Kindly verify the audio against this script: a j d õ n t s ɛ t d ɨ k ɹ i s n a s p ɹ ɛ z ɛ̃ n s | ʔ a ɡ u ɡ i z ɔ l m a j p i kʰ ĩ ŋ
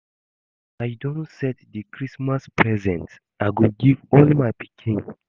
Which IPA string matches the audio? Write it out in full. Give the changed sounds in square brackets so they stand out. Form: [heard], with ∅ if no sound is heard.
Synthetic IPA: a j d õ n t s ɛ t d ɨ k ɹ i s [m] a s p ɹ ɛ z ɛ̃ n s | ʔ a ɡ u ɡ i [v] ɔ l m a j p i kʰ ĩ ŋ